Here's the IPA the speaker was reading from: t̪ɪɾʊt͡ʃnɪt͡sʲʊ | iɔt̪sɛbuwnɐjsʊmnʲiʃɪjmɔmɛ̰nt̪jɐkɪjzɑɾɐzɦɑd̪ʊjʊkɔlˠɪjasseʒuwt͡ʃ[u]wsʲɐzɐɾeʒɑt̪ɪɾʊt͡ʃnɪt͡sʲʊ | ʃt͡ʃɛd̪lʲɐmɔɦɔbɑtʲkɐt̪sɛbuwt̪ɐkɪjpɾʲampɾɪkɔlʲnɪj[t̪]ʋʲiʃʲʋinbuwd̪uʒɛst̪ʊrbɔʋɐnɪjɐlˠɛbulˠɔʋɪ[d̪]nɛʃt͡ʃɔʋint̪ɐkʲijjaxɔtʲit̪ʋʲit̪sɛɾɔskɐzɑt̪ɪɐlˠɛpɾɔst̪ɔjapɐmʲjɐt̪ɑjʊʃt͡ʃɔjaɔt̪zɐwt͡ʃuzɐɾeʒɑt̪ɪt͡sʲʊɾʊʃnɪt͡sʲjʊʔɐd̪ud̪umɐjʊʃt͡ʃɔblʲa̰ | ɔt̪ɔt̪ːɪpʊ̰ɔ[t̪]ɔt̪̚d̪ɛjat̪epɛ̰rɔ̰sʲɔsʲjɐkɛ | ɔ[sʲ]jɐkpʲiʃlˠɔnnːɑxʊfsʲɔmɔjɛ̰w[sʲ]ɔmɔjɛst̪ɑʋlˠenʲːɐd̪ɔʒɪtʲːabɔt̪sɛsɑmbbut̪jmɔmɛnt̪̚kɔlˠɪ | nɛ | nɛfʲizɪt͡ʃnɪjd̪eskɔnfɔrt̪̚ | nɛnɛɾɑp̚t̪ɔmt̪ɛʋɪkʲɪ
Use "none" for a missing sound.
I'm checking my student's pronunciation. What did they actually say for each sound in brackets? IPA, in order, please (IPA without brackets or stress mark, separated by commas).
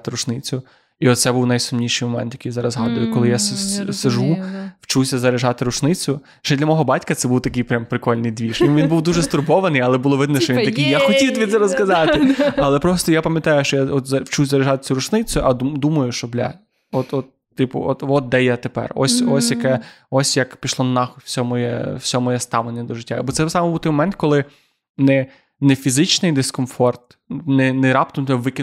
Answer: u, d̪, d̪, t̪, sʲ, sʲ